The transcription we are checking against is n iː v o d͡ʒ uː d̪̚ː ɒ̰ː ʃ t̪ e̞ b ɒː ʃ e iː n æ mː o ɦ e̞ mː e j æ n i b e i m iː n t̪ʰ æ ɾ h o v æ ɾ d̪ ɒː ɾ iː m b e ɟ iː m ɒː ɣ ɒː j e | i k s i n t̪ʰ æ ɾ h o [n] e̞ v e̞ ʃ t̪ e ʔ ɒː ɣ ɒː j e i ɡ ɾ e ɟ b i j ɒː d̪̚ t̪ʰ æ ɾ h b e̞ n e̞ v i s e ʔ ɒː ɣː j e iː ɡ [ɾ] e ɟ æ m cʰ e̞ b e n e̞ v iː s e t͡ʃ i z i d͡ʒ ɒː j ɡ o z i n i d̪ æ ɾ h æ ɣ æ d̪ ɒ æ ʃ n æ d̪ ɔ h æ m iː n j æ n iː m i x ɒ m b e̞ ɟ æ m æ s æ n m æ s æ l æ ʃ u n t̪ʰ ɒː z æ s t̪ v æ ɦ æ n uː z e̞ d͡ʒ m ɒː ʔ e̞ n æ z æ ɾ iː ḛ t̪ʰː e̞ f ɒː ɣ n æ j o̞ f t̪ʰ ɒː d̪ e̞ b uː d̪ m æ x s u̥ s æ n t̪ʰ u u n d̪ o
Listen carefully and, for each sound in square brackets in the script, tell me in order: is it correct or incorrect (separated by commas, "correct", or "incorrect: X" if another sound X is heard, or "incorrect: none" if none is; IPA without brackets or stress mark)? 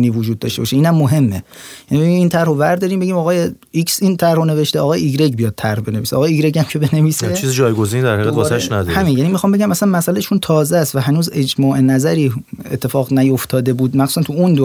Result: correct, correct